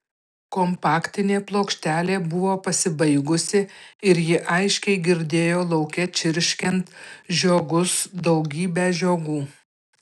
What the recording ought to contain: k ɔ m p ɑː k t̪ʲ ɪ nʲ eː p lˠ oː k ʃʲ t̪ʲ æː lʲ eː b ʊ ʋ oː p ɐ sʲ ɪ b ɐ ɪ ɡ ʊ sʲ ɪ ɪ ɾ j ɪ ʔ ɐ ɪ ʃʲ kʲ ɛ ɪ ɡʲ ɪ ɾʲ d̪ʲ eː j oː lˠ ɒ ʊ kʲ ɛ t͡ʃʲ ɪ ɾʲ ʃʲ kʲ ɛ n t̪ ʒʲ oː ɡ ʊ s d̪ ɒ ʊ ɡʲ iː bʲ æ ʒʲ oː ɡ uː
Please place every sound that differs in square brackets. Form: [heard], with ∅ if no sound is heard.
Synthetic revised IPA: k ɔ m p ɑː k t̪ʲ ɪ nʲ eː p lˠ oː k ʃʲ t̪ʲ æː lʲ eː b ʊ ʋ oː p ɐ sʲ ɪ b ɐ ɪ ɡ ʊ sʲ ɪ ɪ ɾ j ɪ ʔ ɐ ɪ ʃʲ kʲ ɛ ɪ ɡʲ ɪ ɾʲ d̪ʲ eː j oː lˠ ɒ ʊ kʲ ɛ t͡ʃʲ ɪ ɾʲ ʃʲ kʲ ɛ n t̪ ʒʲ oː ɡ ʊ s d̪ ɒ ʊ ɡʲ iː bʲ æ ʒʲ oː ɡ uː